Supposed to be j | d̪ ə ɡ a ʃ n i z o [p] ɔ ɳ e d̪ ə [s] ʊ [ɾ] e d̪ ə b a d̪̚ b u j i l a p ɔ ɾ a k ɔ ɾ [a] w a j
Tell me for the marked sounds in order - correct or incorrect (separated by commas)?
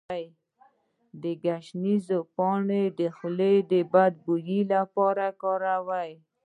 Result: correct, incorrect, incorrect, correct